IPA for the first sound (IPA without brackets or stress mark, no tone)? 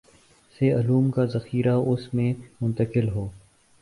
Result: s